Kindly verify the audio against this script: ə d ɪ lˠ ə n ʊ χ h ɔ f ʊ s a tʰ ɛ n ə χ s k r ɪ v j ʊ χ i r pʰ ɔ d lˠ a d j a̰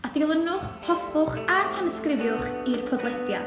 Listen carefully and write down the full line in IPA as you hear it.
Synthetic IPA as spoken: a d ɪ lˠ ə n ʊ χ h ɔ f ʊ χ a tʰ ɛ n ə s k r ɪ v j ʊ χ i r pʰ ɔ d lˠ ɛ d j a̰